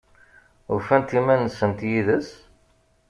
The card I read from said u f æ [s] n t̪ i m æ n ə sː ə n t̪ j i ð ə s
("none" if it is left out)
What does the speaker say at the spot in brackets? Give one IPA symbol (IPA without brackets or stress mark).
none